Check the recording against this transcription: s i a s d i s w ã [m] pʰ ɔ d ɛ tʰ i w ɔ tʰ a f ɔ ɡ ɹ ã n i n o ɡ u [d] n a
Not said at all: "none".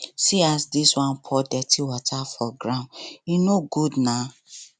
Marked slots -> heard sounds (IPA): n, d

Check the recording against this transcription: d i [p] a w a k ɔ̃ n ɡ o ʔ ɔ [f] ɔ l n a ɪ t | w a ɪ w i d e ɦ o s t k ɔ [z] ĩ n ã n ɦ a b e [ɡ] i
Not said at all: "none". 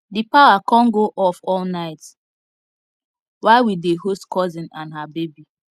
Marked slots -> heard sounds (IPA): p, f, z, b

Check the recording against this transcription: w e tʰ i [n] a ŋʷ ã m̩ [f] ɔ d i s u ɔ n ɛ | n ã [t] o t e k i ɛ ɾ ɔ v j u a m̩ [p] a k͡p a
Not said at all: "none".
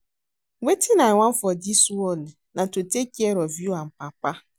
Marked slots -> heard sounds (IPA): n, f, t, p

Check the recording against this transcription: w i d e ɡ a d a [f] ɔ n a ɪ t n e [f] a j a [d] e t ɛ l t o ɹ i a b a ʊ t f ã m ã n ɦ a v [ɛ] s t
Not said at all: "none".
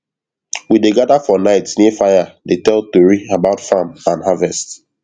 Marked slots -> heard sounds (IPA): f, f, d, ɛ

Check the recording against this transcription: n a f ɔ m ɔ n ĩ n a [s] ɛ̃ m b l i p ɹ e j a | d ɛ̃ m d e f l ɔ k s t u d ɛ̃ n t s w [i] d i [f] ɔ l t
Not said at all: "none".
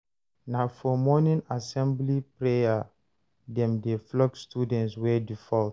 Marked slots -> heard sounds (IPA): s, ɛ, f

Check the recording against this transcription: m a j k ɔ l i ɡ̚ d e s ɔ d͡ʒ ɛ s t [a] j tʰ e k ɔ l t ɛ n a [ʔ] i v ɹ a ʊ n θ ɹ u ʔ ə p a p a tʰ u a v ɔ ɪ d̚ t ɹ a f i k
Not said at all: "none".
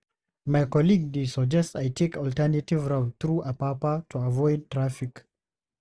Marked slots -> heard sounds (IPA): a, t

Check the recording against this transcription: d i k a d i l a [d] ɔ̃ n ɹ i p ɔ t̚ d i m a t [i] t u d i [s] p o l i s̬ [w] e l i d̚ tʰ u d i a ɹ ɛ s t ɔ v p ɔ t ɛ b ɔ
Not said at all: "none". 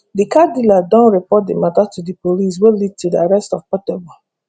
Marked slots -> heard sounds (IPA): d, a, none, w

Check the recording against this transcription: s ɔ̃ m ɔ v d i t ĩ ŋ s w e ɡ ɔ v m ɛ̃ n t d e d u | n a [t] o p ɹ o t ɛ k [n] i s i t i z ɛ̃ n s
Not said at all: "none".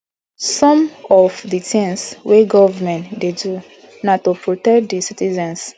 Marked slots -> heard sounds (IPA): t, d

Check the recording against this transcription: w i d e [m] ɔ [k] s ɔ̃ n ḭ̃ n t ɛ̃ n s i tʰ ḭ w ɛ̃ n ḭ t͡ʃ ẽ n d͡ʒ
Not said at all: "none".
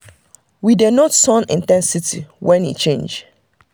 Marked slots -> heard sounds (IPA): n, t

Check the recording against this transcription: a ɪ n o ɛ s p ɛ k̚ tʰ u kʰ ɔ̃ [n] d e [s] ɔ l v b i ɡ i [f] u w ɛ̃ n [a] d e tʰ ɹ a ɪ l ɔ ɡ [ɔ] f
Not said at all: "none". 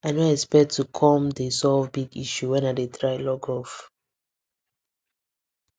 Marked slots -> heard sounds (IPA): m, s, ʃ, a, ɔ

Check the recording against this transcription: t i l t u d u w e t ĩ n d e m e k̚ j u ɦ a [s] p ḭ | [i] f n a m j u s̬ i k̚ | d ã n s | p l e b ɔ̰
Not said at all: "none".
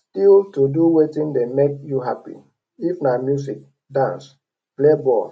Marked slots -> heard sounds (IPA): none, i

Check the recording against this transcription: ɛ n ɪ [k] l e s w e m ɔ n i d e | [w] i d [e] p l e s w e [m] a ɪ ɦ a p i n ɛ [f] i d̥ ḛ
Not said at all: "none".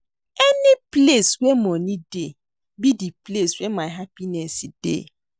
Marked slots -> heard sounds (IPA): p, b, i, m, s

